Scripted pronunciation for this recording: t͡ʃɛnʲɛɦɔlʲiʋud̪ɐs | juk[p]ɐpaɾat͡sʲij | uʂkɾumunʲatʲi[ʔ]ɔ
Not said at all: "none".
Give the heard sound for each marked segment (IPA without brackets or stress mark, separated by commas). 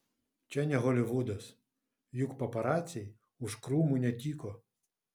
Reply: p, k